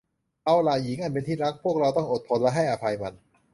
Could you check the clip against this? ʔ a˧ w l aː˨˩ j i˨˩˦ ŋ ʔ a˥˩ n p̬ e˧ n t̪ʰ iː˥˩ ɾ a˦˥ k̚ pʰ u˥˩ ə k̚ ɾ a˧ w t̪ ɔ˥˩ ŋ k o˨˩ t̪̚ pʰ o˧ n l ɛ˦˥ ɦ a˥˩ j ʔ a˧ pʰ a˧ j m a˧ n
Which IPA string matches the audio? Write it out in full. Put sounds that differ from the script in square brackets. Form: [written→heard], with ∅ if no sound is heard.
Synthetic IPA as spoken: ʔ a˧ w l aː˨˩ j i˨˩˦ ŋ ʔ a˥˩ n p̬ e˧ n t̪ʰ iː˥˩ ɾ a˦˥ k̚ pʰ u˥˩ ə k̚ ɾ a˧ w t̪ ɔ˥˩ ŋ [k→ʔ] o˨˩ t̪̚ pʰ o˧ n l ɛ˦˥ ɦ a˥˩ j ʔ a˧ pʰ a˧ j m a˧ n